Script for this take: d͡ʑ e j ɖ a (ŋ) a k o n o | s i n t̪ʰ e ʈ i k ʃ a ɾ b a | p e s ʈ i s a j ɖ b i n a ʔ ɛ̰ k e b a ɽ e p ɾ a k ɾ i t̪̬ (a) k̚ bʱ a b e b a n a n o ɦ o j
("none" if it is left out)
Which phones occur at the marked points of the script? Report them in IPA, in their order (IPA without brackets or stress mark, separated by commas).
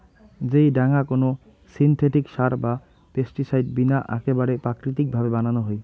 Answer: ŋ, i